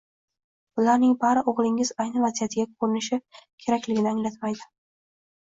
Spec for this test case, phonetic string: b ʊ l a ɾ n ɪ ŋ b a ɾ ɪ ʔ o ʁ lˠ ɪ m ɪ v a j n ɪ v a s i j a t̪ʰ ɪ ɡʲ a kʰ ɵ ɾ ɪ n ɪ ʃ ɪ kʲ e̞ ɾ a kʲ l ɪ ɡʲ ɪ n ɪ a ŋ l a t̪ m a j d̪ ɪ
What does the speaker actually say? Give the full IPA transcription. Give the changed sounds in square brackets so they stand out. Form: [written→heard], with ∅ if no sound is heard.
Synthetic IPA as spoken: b ʊ l a ɾ n ɪ ŋ b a ɾ ɪ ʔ o ʁ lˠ ɪ [m→ŋ] ɪ [v→z] a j n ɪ v a [s→z] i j a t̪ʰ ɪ ɡʲ a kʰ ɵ ɾ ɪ n ɪ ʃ ɪ [kʲ→kʲʰ] e̞ ɾ a kʲ l ɪ ɡʲ ɪ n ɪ a ŋ l a t̪ m a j d̪ ɪ